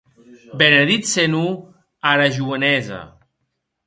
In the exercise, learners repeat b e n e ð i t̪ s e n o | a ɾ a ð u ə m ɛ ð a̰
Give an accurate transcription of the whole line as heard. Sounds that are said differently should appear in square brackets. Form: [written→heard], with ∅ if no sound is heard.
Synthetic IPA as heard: b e n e ð i t̪ s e n [o→u] | a ɾ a [ð→ʒ] u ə [m→n] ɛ [ð→z] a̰